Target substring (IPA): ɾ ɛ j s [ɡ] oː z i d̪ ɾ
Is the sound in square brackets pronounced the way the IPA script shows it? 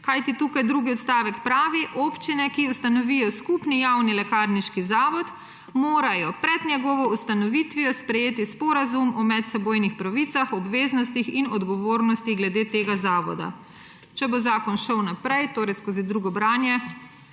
no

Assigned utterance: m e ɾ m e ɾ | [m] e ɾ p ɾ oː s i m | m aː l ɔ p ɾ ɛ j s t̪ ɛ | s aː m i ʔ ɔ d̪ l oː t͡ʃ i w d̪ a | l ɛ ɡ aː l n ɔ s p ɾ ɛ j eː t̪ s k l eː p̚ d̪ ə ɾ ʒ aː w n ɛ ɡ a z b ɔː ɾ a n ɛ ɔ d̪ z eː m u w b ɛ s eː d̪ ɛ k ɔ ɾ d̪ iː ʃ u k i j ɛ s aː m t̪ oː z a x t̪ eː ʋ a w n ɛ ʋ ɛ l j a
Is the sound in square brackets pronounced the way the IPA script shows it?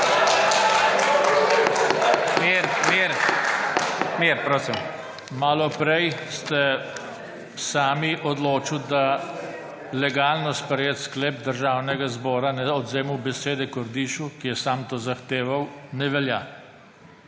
yes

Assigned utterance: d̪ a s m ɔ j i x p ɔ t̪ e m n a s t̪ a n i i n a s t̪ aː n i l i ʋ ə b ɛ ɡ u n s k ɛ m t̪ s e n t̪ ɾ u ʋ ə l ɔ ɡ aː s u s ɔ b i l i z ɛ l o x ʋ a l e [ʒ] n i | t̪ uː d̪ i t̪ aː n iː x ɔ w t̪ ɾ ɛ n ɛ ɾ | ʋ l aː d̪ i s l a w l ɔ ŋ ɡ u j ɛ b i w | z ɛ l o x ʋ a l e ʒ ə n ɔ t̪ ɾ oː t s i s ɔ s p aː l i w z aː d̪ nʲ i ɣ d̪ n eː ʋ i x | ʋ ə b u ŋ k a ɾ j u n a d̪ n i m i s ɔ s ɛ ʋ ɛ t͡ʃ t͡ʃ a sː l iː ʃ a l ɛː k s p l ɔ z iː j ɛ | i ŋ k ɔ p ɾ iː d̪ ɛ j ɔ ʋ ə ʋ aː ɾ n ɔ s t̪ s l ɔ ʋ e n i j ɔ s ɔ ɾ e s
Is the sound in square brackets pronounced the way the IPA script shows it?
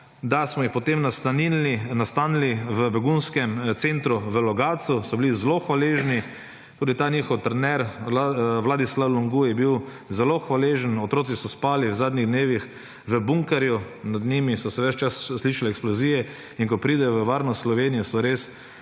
yes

